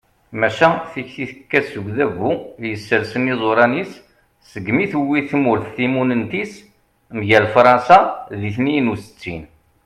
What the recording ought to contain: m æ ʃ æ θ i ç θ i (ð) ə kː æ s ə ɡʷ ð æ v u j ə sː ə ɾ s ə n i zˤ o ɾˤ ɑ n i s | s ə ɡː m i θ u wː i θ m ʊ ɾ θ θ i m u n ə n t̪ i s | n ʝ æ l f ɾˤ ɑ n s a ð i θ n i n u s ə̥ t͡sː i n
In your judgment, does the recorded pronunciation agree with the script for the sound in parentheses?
no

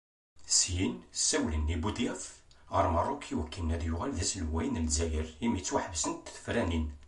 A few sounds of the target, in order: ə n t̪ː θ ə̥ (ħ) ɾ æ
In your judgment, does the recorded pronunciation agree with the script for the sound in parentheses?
no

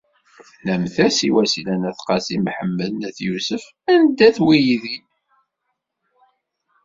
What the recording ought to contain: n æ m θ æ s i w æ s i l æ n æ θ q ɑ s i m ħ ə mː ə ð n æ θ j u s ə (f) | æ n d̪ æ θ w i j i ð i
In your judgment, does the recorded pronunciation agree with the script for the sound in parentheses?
yes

